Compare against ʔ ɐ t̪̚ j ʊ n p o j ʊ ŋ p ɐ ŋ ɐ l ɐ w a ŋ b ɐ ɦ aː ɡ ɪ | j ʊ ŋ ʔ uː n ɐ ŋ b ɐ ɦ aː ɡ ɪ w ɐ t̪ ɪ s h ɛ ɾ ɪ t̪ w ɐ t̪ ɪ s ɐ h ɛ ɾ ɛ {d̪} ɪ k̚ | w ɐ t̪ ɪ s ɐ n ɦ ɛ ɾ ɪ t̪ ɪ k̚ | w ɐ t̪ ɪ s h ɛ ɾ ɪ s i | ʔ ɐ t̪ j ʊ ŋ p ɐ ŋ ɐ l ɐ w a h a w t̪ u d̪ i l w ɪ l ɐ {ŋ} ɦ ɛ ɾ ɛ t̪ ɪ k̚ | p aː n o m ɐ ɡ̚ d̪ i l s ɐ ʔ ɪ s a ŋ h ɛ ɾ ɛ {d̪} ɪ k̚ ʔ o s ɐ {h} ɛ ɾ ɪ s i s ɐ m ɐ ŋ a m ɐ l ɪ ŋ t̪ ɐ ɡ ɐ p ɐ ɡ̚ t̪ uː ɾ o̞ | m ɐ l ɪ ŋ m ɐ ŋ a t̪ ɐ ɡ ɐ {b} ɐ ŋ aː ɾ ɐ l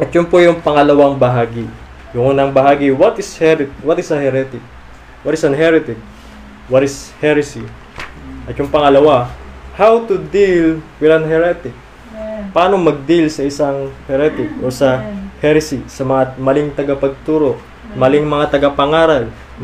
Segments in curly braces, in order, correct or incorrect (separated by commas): incorrect, incorrect, incorrect, correct, incorrect